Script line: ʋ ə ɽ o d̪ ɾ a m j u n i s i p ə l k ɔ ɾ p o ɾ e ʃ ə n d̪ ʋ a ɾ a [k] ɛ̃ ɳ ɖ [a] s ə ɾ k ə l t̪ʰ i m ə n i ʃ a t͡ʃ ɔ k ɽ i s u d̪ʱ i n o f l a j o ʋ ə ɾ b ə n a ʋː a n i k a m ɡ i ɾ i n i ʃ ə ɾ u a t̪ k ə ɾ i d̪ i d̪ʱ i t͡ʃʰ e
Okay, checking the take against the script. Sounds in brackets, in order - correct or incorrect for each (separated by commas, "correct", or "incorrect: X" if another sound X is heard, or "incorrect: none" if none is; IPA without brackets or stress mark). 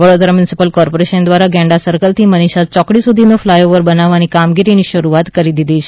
incorrect: ɡ, correct